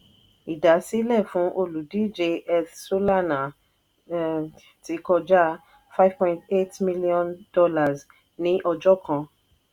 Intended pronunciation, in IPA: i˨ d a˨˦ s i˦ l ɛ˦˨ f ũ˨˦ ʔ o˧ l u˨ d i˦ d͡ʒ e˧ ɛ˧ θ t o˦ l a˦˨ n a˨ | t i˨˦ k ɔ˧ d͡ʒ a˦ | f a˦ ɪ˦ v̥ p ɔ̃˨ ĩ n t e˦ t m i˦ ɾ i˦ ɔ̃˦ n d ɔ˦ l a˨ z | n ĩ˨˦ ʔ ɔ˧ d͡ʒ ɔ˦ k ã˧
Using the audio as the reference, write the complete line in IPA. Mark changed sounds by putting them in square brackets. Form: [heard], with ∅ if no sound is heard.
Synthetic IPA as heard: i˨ d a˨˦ s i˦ l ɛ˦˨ f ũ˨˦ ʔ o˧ l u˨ d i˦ d͡ʒ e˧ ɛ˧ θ [s] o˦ l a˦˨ n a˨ | t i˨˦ k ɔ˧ d͡ʒ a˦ | f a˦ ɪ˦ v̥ p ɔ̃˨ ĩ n t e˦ t m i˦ [l] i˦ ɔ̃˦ n d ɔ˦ l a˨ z | n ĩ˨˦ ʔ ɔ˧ d͡ʒ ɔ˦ k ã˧